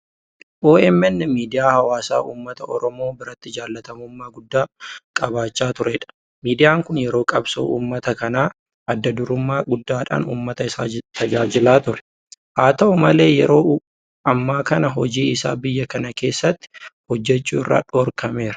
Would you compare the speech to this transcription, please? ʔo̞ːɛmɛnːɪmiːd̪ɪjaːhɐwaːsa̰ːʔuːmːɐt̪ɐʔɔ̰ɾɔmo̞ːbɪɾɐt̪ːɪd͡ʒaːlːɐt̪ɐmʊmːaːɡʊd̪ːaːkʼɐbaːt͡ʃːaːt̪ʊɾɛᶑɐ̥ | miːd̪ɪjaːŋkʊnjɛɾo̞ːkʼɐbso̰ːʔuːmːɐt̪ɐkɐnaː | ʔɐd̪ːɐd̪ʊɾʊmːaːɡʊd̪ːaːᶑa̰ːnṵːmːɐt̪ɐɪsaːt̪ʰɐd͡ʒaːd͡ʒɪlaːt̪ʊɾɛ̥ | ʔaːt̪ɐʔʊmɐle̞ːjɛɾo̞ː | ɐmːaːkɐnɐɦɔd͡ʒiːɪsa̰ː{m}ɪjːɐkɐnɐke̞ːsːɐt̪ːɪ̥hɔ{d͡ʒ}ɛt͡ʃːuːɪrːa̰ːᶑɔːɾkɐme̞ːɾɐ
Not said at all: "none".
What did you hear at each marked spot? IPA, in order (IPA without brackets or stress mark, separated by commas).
b, d͡ʒː